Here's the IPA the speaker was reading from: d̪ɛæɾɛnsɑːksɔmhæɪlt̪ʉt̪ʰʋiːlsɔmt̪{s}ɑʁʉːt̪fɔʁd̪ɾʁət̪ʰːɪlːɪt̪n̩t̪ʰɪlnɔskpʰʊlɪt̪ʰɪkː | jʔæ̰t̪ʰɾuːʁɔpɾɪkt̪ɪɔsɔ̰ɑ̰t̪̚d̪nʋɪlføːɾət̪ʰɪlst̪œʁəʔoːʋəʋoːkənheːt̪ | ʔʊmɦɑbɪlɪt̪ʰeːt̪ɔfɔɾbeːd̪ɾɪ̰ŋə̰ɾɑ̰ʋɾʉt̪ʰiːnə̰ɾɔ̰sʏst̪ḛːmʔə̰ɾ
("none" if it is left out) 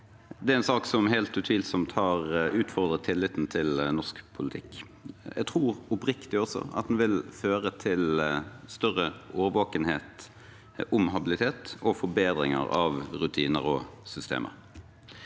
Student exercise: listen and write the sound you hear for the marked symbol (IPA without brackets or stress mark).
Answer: h